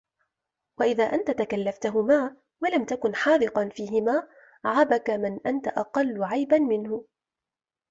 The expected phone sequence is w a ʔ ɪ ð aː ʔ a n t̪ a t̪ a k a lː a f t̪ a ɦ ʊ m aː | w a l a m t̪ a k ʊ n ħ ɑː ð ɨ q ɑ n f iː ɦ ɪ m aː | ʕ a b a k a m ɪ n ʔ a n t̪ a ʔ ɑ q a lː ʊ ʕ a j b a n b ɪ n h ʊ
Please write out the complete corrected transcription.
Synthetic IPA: w a ʔ ɪ ð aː ʔ a n t̪ a t̪ a k a lː a f t̪ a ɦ ʊ m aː | w a l a m t̪ a k ʊ n ħ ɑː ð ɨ q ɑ n f iː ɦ ɪ m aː | ʕ a b a k a m ɪ n ʔ a n t̪ a ʔ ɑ q ɑ lː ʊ ʕ a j b a n m ɪ n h ʊ